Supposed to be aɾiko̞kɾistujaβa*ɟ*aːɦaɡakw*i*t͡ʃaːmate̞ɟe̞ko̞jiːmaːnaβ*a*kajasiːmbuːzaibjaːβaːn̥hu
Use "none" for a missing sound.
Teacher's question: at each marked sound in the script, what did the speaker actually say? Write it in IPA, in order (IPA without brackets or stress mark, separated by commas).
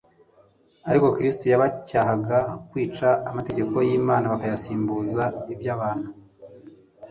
c, iː, a